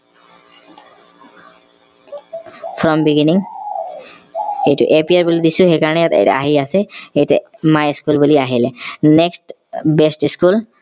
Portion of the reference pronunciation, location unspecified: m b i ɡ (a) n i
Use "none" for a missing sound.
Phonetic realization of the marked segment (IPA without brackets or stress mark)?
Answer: i